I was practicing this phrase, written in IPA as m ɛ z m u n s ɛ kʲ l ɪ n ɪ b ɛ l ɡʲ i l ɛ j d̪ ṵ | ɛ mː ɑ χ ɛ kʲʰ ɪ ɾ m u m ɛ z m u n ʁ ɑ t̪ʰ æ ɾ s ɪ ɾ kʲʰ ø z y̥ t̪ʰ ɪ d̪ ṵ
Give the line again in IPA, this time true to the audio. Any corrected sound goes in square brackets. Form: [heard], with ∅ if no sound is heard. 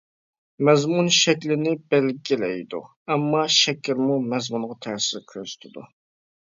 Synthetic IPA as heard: m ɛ z m u n [ʃ] ɛ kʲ l ɪ n ɪ b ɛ l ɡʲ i l ɛ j d̪ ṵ | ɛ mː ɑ [ʃ] ɛ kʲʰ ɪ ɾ m u m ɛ z m u n ʁ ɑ t̪ʰ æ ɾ s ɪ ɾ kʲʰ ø z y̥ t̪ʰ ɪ d̪ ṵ